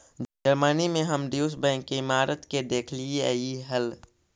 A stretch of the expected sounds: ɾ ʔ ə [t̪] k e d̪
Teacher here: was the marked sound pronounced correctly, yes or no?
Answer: yes